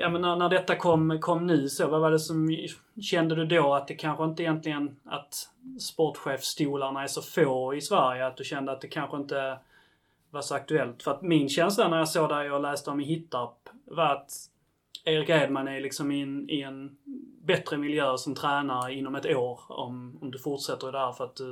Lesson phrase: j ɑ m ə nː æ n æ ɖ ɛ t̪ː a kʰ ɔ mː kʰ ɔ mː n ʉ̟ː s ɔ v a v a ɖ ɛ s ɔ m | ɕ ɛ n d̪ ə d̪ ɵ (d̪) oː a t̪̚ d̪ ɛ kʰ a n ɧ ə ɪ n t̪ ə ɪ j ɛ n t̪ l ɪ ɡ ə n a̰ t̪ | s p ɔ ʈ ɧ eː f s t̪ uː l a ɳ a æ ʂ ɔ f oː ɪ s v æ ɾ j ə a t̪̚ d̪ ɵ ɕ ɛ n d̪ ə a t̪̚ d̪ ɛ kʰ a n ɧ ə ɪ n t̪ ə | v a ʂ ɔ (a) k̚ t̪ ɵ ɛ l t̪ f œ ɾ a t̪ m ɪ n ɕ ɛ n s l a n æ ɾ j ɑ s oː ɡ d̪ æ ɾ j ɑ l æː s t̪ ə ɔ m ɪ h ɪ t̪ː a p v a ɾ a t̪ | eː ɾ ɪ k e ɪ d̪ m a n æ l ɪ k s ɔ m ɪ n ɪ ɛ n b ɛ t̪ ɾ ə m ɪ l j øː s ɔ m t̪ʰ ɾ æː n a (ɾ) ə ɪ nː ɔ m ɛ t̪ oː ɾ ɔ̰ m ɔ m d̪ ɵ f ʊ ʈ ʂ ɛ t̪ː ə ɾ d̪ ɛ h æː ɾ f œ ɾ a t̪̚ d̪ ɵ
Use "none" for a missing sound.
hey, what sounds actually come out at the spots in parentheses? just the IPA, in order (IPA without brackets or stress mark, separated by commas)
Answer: d̪, a, ɾ